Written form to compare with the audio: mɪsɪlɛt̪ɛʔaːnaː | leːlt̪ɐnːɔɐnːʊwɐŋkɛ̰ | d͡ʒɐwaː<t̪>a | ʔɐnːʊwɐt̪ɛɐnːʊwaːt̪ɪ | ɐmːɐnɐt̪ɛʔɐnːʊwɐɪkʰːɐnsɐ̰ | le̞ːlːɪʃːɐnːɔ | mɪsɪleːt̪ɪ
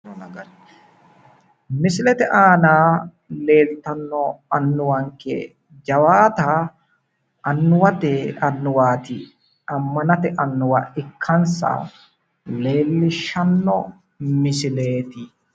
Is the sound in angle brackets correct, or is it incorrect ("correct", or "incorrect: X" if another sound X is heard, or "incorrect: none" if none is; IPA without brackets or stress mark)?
correct